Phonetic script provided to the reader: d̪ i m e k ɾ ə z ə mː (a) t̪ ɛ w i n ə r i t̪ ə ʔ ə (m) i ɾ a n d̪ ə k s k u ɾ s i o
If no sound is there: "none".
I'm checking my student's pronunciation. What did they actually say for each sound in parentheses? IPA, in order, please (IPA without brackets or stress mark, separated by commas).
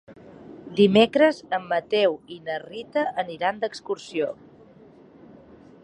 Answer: ə, n